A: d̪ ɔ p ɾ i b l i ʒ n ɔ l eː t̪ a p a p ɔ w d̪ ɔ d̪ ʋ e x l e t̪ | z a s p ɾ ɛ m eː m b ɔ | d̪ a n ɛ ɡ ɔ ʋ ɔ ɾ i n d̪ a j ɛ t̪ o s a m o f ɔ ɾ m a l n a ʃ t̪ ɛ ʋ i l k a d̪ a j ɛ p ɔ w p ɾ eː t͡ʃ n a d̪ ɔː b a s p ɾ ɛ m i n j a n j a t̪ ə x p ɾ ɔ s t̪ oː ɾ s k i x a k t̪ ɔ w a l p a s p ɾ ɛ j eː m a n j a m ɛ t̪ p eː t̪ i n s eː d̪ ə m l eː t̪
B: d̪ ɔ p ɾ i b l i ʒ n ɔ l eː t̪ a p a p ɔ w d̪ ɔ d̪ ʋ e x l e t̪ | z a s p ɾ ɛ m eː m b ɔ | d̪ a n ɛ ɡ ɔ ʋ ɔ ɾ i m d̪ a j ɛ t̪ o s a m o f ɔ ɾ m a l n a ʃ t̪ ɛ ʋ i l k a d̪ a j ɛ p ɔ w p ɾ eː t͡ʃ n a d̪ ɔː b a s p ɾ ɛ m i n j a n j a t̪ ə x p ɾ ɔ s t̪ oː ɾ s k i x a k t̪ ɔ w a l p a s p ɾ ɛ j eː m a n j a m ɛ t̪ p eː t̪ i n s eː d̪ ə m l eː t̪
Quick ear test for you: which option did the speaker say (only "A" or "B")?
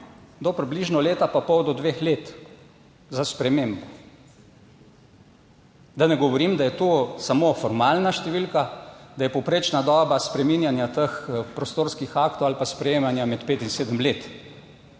B